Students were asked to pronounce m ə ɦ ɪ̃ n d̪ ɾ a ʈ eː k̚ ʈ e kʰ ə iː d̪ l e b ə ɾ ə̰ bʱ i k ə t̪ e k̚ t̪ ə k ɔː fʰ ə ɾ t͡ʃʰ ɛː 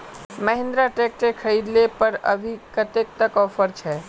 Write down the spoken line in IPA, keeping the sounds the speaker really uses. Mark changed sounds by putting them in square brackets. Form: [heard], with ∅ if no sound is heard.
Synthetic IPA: m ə ɦ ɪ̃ n d̪ ɾ a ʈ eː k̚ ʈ e kʰ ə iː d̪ l e [p] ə ɾ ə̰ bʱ i k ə t̪ e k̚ t̪ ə k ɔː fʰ ə ɾ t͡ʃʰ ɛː